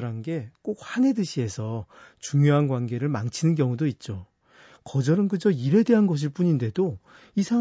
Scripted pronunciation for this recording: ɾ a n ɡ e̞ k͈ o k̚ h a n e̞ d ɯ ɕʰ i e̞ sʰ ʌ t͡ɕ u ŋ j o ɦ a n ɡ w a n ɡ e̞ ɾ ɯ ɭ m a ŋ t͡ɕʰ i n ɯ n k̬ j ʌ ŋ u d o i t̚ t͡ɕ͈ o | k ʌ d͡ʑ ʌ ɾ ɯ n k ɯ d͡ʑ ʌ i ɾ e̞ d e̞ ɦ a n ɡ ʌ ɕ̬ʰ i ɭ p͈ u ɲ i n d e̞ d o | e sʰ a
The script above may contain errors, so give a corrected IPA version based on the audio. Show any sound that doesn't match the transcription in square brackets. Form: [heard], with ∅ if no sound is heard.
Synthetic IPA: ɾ a n ɡ e̞ k͈ o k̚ h a n e̞ d ɯ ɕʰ i e̞ sʰ ʌ t͡ɕ u ŋ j o ɦ a n ɡ w a n ɡ e̞ ɾ ɯ ɭ m a ŋ t͡ɕʰ i n ɯ n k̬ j ʌ ŋ u d o i t̚ t͡ɕ͈ o | k ʌ d͡ʑ ʌ ɾ ɯ n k ɯ d͡ʑ ʌ i ɾ e̞ d e̞ ɦ a n ɡ ʌ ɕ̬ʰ i ɭ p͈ u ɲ i n d e̞ d o | [i] sʰ a